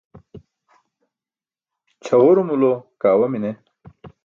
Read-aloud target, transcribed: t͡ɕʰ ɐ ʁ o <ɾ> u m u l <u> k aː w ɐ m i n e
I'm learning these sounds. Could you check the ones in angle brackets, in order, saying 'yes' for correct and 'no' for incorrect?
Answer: yes, no

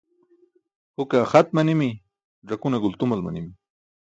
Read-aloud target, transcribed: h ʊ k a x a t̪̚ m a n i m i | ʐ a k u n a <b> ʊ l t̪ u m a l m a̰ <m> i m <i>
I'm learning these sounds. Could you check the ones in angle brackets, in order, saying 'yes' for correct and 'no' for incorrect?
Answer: no, no, yes

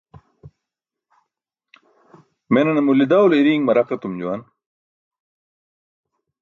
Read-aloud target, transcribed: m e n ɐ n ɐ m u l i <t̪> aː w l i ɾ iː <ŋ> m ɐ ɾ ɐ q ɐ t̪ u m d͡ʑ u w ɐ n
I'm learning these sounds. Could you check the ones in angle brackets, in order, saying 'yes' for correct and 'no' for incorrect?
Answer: no, yes

